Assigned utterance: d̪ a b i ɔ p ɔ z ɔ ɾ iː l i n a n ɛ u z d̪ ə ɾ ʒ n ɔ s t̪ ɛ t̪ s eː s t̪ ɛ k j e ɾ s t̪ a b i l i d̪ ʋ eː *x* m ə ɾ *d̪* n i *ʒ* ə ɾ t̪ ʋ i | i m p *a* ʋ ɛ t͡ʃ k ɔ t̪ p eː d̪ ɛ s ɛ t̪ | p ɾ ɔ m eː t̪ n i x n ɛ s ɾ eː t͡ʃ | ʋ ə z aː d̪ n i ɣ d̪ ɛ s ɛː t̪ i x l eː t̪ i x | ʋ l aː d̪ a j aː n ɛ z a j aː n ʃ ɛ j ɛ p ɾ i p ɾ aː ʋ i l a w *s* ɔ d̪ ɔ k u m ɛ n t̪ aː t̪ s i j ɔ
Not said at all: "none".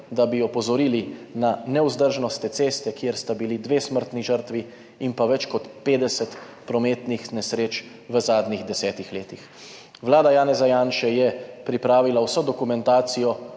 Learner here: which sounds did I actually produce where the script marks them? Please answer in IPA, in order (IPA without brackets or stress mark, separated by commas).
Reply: s, t̪, ʒ, a, s